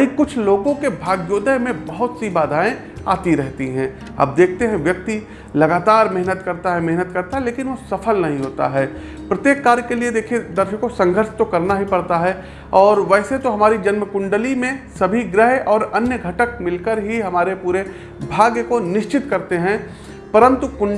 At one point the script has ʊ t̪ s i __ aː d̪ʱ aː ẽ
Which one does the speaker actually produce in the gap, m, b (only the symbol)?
b